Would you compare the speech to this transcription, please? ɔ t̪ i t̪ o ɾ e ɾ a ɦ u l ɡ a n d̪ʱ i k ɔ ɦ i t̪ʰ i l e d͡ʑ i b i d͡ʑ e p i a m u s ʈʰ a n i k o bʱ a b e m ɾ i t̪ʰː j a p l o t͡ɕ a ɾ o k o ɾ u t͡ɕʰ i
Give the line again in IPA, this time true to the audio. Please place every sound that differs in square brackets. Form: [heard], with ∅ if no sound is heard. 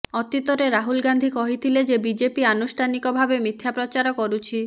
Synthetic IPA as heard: ɔ t̪ i t̪ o ɾ e ɾ a ɦ u l ɡ a n d̪ʱ i k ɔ ɦ i t̪ʰ i l e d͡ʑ [e] b i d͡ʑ e p i a [n] u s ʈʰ a n i k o bʱ a b e m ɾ i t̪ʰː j a p [ɾ] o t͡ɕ a ɾ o k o ɾ u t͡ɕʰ i